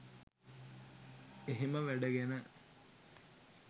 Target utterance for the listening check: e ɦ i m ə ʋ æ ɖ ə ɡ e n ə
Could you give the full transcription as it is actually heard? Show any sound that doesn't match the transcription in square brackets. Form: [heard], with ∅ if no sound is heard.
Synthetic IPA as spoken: e ɦ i m ə ʋ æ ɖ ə ɡ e n ə